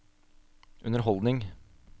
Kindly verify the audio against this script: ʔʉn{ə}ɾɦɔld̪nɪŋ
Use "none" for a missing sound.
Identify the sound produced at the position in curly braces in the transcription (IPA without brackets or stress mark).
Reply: ə